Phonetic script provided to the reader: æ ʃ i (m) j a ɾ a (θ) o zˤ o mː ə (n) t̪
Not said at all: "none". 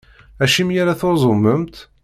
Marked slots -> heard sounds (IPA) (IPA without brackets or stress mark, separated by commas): m, θ, m